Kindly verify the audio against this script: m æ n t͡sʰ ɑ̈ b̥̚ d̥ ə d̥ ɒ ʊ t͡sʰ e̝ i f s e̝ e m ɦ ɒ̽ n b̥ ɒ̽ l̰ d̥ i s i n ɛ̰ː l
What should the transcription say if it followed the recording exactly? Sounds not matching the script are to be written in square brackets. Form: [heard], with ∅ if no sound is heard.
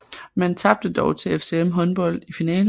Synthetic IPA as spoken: m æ n t͡sʰ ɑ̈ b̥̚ d̥ ə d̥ ɒ ʊ t͡sʰ e̝ [e] f s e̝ e m ɦ ɒ̽ n b̥ ɒ̽ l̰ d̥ i [f] i n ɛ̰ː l